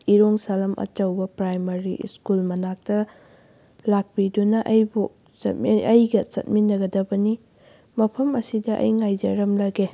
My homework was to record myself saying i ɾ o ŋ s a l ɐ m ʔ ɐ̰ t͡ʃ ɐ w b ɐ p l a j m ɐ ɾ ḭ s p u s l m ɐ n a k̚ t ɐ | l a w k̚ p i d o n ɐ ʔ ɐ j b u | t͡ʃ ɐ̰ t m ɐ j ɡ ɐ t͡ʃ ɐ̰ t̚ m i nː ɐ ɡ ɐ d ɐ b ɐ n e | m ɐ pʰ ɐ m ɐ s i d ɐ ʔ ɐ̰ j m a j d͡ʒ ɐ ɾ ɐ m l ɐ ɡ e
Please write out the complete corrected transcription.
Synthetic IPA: i ɾ o ŋ s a l ɐ m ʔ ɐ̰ t͡ʃ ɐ w b ɐ p ɾ a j m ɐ ɾ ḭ s k u l m ɐ n a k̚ t ɐ | l a k̚ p i d u n ɐ ʔ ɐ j b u | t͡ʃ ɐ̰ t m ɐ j ɡ ɐ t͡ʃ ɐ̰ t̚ m i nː ɐ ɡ ɐ d ɐ b ɐ n i | m ɐ pʰ ɐ m ɐ s i d ɐ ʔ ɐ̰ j ŋ a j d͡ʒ ɐ ɾ ɐ m l ɐ ɡ e